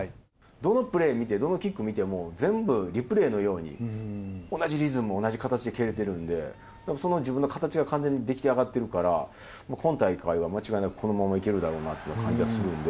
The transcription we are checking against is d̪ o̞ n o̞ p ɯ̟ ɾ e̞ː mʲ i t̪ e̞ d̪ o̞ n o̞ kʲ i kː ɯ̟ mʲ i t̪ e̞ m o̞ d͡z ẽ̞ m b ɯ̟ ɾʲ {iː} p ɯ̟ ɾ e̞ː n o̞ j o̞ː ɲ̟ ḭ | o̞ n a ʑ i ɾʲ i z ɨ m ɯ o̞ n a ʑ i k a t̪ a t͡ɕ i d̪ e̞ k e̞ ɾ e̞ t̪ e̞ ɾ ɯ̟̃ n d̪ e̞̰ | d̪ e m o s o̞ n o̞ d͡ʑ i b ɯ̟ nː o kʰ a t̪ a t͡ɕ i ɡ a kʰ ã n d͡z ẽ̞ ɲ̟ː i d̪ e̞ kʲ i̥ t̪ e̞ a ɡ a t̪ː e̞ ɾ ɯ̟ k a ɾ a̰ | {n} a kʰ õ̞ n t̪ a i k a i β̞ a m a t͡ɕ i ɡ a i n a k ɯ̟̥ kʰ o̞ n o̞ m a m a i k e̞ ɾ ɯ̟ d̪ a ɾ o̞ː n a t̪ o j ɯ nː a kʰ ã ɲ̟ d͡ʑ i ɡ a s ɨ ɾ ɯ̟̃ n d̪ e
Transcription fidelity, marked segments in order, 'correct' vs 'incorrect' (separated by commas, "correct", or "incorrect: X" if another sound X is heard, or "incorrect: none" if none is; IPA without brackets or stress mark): incorrect: i, incorrect: m